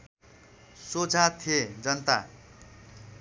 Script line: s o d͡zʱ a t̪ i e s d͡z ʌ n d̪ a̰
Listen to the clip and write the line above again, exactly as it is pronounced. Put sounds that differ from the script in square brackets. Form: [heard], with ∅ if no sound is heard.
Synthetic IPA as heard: s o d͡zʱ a [t̪ʰ] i e [∅] d͡z ʌ n [t̪] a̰